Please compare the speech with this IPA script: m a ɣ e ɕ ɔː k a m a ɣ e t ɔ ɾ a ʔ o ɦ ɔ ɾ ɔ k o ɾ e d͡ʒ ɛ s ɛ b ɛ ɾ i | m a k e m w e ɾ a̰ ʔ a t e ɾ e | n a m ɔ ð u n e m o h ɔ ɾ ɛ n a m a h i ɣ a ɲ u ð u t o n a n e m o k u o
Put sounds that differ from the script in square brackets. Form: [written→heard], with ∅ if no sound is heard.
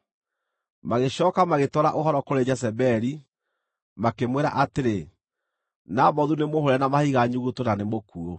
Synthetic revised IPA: m a ɣ e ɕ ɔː k a m a ɣ e t ɔ ɾ a ʔ o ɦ ɔ ɾ ɔ k o ɾ e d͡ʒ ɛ s ɛ b ɛ ɾ i | m a k e m w e ɾ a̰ ʔ a t e ɾ e | n a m ɔ ð u n e m o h [ɔ→o] ɾ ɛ n a m a h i ɣ a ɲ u [ð→ɣ] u t o n a n e m o k u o